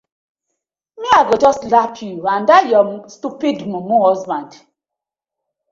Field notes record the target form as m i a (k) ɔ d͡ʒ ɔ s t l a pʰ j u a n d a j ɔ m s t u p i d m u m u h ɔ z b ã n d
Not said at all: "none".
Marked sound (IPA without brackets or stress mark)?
ɡ